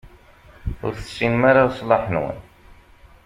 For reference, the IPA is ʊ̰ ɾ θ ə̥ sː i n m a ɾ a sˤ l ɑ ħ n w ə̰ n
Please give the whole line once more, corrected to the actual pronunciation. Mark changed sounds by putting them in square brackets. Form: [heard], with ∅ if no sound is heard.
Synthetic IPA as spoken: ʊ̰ ɾ θ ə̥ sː i n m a ɾ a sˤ l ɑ ħ n w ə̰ n

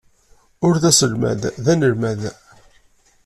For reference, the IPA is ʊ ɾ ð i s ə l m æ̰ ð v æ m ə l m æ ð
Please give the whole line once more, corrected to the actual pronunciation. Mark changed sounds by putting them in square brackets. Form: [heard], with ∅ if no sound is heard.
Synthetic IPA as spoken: ʊ ɾ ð [æ] s ə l m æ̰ ð [ð] æ [n] ə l m æ ð

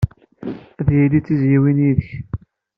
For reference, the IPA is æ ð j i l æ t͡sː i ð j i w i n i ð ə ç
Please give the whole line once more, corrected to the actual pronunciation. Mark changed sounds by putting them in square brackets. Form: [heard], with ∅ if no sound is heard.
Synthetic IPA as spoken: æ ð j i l [i] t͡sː i [z] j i w i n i ð ə ç

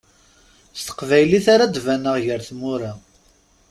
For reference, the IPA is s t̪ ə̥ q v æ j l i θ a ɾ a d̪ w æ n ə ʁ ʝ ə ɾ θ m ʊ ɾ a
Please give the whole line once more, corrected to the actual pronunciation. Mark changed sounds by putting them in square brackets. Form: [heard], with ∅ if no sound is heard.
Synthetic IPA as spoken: s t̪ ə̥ q v æ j l i θ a ɾ a d̪ [v] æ n ə ʁ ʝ ə ɾ θ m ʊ ɾ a

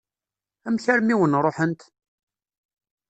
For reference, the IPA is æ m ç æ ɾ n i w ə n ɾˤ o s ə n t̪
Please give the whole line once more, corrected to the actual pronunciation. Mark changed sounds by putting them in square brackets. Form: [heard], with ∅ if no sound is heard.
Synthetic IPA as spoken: æ m ç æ ɾ [m] i w ə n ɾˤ o [ħ] ə n t̪

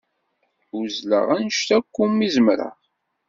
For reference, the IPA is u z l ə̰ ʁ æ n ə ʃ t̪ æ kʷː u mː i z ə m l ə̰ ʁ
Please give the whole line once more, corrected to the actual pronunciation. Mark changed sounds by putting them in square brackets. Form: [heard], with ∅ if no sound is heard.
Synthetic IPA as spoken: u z l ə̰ ʁ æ n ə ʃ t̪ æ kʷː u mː i z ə m [ɾ] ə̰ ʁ

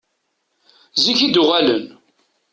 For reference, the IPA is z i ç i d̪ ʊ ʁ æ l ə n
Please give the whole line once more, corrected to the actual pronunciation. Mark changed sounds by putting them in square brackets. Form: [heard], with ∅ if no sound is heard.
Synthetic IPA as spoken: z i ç i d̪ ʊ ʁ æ l ə n

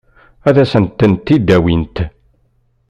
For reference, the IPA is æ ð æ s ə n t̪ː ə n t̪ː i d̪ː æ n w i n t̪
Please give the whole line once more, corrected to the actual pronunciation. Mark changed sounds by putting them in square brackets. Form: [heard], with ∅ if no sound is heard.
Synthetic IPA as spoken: æ ð æ s ə n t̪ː ə n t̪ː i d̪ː æ [∅] w i n t̪

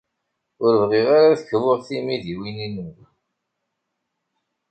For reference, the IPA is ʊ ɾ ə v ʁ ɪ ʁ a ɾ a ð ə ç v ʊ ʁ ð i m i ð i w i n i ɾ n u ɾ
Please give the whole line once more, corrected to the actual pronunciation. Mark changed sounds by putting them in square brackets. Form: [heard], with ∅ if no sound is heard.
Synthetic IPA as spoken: ʊ ɾ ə v ʁ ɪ ʁ a ɾ a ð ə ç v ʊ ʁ [θ] i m i ð i w i n i [∅] n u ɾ

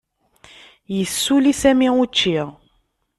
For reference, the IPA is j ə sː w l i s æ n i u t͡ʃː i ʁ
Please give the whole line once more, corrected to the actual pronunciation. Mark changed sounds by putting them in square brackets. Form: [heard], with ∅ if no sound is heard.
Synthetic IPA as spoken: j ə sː [u] l i s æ [m] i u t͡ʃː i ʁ

